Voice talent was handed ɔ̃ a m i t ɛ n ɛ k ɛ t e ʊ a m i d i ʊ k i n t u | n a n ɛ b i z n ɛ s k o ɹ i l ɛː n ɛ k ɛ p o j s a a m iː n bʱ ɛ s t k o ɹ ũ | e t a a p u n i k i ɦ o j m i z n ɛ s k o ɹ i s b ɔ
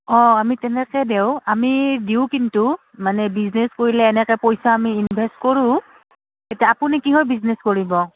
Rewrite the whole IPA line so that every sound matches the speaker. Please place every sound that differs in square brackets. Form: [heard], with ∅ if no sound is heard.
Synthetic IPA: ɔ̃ a m i t ɛ n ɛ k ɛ [d] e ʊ a m i d i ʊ k i n t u | [m] a n ɛ b i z n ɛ s k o ɹ i l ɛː n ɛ k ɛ p o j s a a m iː n bʱ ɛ s t k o ɹ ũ | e t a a p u n i k i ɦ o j [b] i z n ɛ s k o ɹ i [∅] b ɔ